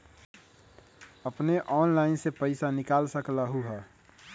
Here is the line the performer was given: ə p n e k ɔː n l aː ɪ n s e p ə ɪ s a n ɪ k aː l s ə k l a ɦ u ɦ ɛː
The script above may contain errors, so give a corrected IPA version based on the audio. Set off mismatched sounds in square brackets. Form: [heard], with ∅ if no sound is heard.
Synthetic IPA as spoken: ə p n e [ʔ] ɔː n l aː ɪ n s e p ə ɪ s a n ɪ k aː l s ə k l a ɦ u ɦ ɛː